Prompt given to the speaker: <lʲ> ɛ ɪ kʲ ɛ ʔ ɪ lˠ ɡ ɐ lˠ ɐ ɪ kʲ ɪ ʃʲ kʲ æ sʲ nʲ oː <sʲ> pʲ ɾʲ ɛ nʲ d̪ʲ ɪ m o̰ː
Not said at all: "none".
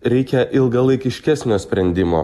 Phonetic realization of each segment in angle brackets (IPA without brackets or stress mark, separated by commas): ɾʲ, sʲ